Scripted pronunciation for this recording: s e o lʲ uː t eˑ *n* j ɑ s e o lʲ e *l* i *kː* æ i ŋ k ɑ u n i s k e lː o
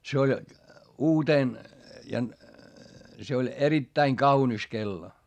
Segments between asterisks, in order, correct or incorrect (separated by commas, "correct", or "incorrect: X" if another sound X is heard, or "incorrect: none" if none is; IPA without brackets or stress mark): correct, incorrect: r, incorrect: tː